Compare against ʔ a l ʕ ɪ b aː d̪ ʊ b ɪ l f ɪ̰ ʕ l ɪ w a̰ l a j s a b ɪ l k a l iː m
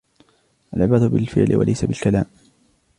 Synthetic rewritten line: ʔ a l ʕ ɪ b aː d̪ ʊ b ɪ l f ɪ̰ ʕ l ɪ w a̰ l a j s a b ɪ l k a l aː m